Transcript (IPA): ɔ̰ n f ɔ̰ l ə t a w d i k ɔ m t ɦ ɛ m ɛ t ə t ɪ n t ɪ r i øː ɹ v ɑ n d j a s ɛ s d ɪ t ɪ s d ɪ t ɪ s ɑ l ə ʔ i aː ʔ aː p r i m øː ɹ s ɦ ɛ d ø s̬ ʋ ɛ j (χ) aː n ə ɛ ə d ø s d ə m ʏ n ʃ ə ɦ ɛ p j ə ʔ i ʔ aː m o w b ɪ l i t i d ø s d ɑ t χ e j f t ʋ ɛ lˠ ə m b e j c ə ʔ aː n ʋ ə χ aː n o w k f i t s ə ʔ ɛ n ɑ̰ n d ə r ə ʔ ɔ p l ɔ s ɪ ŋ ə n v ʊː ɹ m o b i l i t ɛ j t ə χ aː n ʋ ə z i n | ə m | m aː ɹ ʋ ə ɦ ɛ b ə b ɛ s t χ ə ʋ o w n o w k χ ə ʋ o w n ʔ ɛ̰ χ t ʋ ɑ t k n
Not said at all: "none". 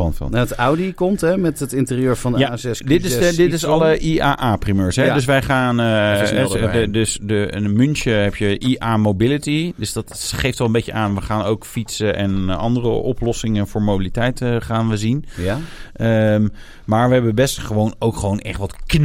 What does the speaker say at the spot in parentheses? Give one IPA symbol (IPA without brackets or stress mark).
χ